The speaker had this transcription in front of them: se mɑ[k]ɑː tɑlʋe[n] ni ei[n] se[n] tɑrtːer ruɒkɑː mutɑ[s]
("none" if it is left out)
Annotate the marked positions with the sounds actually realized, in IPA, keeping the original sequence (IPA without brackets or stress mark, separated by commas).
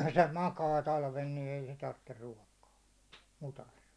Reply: k, n, none, none, s